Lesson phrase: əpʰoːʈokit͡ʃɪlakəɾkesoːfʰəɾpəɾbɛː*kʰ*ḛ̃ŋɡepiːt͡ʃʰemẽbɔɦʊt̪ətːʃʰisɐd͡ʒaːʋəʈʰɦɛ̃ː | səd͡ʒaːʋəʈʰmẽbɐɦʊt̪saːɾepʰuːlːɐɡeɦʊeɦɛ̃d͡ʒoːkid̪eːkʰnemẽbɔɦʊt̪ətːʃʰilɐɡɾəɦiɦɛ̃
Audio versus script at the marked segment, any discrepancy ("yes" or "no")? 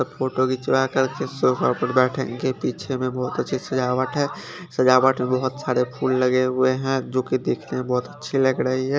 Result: yes